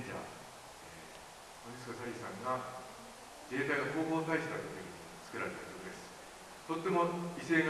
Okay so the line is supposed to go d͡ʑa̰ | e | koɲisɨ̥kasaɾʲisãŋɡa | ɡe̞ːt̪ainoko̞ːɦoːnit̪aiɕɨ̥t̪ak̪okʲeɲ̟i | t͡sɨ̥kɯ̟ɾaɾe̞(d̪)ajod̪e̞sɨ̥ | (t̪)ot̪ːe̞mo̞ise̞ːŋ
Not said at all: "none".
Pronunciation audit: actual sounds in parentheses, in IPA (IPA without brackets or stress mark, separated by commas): t̪, t̪